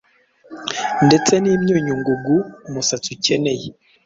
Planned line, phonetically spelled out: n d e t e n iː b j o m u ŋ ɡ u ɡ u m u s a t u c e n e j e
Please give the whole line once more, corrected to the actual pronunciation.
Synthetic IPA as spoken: n d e t͡s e n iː m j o ɲ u ŋ ɡ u ɡ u m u s a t u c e n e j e